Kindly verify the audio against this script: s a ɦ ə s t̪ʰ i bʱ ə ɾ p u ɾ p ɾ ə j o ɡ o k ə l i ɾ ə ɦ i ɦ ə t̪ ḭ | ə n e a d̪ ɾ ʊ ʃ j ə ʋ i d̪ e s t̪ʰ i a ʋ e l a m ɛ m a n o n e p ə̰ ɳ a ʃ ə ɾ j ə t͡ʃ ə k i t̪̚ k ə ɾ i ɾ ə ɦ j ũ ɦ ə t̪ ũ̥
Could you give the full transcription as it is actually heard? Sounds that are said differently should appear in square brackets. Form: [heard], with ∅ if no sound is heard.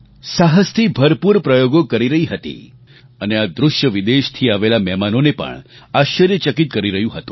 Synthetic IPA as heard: s a ɦ ə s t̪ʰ i bʱ ə ɾ p u ɾ p ɾ ə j o ɡ o k ə [ɾ] i ɾ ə ɦ i ɦ ə t̪ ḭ | ə n e a d̪ ɾ ʊ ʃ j ə ʋ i d̪ e [ʃ] t̪ʰ i a ʋ e l a m ɛ m a n o n e p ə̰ ɳ a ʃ ə ɾ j ə t͡ʃ ə k i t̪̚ k ə ɾ i ɾ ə ɦ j ũ ɦ ə t̪ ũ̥